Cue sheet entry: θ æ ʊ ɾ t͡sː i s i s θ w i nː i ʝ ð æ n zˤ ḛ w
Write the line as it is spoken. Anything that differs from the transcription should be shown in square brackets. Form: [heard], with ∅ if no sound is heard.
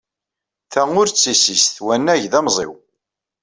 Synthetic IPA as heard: θ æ ʊ ɾ t͡sː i s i s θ w [æ] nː [æ] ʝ ð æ [m] zˤ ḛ w